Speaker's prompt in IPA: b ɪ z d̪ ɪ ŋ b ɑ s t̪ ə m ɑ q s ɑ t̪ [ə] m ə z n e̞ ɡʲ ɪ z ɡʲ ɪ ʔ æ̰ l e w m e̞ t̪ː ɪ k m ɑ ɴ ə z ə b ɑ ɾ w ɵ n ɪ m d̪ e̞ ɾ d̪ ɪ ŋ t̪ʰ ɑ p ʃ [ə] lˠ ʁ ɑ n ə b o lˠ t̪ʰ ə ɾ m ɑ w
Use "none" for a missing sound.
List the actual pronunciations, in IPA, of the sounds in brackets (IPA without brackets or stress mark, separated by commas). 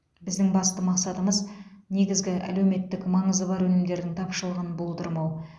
ə, ə